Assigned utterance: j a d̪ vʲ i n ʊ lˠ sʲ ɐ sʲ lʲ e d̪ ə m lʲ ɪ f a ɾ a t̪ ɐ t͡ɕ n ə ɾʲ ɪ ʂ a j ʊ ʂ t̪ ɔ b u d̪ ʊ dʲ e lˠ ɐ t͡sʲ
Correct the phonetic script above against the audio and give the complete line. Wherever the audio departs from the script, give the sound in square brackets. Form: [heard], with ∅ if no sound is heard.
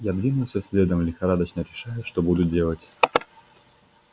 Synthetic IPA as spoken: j a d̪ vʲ i n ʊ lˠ sʲ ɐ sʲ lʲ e d̪ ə m lʲ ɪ [x] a ɾ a [d̪] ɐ t͡ɕ n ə ɾʲ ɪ ʂ a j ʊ ʂ t̪ ɔ b u d̪ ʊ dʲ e lˠ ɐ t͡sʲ